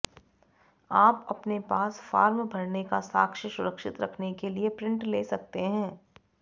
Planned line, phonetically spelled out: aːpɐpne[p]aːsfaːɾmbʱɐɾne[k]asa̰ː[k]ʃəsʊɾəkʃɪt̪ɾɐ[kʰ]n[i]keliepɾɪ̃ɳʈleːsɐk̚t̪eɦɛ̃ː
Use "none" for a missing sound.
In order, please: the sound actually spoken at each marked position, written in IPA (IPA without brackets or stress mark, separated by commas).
p, k, k, kʰ, e